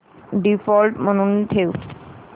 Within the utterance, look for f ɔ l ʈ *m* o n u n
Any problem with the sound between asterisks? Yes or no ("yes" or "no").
no